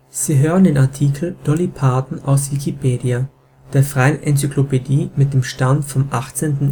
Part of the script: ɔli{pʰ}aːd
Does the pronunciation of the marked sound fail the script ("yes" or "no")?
no